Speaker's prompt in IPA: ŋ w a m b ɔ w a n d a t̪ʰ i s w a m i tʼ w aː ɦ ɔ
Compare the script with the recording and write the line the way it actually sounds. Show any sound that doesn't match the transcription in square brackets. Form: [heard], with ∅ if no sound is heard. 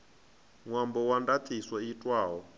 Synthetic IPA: ŋ w a m b ɔ w a n d a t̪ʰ i s w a [∅] i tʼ w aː ɦ ɔ